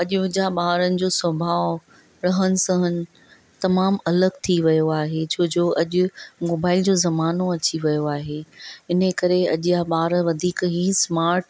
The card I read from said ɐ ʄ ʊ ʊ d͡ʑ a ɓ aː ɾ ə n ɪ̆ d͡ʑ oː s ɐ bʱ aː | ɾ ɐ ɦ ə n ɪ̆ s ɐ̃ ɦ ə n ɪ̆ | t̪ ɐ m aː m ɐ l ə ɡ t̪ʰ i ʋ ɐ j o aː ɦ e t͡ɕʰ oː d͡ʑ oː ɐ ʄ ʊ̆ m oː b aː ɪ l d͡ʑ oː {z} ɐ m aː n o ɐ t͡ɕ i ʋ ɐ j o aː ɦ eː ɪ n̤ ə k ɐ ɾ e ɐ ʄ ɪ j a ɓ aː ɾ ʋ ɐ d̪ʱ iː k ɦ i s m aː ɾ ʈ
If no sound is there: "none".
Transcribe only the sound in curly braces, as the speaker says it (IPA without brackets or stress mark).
z